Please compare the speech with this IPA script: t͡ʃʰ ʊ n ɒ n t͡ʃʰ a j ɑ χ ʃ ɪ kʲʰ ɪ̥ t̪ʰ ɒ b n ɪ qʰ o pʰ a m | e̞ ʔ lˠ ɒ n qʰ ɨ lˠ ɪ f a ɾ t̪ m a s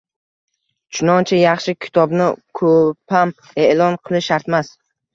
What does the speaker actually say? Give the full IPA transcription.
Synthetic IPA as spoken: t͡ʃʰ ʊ n ɒ n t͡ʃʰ a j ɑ χ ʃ ɪ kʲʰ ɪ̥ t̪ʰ ɒ b n ɪ kʰ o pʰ a m | e̞ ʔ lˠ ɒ n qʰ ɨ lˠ ɪ ʃ a ɾ t̪ m a s